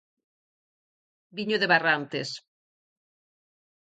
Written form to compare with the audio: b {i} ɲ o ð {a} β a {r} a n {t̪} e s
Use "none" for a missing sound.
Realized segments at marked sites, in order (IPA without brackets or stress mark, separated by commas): i, e, r, t̪